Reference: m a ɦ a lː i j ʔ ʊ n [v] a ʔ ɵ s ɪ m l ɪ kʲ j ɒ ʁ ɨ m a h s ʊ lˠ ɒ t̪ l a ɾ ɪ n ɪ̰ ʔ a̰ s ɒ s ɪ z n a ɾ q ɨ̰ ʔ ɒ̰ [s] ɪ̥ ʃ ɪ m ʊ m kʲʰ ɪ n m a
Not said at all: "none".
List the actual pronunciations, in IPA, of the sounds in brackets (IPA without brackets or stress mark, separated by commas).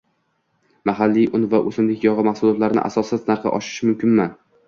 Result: v, ʃ